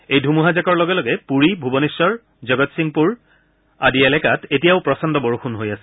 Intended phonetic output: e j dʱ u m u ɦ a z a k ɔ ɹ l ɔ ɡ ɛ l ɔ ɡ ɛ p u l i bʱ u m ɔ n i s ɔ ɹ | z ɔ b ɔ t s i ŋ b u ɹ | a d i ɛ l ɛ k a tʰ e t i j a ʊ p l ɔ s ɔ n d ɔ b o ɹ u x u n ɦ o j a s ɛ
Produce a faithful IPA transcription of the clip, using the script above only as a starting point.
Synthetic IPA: e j dʱ u m u ɦ a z a k ɔ ɹ l ɔ ɡ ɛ l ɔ ɡ ɛ p u ɹ i bʱ u b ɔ n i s ɔ ɹ | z ɔ ɡ ɔ t s i ŋ p u ɹ | a d i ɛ l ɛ k a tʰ e t i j a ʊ p ɹ ɔ s ɔ n d ɔ b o ɹ u x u n ɦ o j a s ɛ